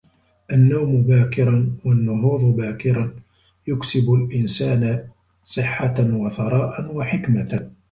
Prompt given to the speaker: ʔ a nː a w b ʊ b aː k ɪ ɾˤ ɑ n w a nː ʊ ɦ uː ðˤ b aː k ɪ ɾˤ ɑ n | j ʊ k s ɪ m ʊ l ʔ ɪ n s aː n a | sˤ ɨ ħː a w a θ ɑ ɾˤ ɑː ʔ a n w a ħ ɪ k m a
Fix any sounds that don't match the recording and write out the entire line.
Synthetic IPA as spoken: ʔ a nː a w m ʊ b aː k ɪ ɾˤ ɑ n w a nː ʊ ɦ uː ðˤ b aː k ɪ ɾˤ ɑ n | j ʊ k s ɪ b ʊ l ʔ ɪ n s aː n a | sˤ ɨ ħː a w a θ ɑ ɾˤ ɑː ʔ a n w a ħ ɪ k m a